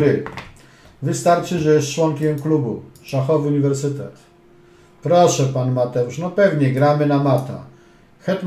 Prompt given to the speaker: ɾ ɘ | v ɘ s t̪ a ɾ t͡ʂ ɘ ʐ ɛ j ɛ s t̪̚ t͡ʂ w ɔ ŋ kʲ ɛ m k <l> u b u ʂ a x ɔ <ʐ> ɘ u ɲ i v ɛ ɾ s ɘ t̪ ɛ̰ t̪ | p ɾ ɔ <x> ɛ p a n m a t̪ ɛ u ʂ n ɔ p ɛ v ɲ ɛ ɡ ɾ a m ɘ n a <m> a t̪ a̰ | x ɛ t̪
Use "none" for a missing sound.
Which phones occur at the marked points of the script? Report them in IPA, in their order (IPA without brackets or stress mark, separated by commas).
l, v, ʂ, m